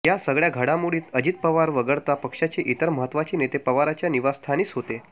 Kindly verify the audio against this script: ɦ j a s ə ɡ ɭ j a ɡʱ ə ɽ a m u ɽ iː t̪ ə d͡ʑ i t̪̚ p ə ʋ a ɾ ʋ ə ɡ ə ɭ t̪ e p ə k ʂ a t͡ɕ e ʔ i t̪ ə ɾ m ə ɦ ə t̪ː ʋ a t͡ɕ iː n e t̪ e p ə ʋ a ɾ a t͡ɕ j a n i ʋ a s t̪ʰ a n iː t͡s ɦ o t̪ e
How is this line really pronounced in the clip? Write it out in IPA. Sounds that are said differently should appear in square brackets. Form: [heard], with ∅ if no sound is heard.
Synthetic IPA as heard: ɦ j a s ə ɡ ɭ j a ɡʱ ə ɽ a m u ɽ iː t̪ ə d͡ʑ i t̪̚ p ə ʋ a ɾ ʋ ə ɡ ə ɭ t̪ [a] p ə k ʂ a t͡ɕ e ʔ i t̪ ə ɾ m ə ɦ ə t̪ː ʋ a t͡ɕ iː n e t̪ e p ə ʋ a ɾ a t͡ɕ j a n i ʋ a s t̪ʰ a n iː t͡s ɦ o t̪ e